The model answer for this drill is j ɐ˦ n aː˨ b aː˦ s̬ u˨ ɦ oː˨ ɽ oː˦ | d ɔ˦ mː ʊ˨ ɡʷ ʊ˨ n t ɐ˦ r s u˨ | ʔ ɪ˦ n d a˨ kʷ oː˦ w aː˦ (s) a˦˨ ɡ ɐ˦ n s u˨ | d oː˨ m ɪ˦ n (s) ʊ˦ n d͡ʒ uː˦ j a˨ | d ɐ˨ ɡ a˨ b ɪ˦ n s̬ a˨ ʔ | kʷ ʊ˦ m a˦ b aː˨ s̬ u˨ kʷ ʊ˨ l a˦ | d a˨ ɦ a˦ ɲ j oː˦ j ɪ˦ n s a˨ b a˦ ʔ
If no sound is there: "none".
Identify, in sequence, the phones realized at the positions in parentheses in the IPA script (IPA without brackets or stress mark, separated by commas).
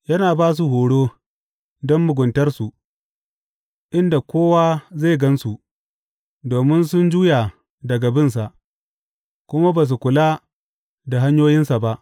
z, s